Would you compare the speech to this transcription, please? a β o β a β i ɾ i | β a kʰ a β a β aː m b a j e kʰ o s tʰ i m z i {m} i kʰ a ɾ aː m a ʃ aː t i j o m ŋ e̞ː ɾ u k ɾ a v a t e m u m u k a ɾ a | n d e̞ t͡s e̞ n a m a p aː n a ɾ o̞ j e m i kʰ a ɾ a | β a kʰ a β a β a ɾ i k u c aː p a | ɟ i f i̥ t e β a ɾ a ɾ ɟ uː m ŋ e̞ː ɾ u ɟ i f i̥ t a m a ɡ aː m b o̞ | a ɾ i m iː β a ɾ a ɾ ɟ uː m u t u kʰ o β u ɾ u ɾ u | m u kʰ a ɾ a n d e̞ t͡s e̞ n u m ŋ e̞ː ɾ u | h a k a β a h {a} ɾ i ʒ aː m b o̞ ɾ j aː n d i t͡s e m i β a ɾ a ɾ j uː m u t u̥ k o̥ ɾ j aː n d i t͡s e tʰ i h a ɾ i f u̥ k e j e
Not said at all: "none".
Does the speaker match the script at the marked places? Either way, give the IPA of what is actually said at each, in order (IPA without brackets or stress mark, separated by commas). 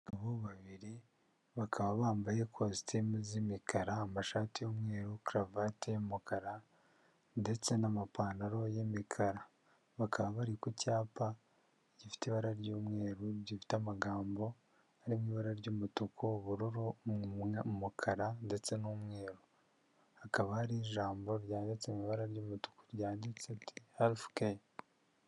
m, a